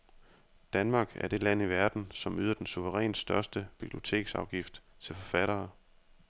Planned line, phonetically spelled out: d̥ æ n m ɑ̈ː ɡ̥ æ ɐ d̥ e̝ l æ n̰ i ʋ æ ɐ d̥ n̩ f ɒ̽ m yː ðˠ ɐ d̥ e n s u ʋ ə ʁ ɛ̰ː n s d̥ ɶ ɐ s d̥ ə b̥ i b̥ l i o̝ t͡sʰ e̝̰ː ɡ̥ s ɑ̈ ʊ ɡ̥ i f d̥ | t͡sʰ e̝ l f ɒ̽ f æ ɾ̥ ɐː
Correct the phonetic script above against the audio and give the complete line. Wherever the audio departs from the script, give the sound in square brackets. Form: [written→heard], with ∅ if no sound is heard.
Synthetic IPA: d̥ æ n m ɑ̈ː ɡ̥ æ ɐ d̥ e̝ l æ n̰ i ʋ æ ɐ d̥ n̩ [f→s] ɒ̽ m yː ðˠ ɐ d̥ e n s u ʋ ə ʁ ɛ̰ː n s d̥ ɶ ɐ s d̥ ə b̥ i b̥ l i o̝ t͡sʰ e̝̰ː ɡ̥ s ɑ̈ ʊ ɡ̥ i f d̥ | t͡sʰ e̝ l f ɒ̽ f æ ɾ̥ ɐː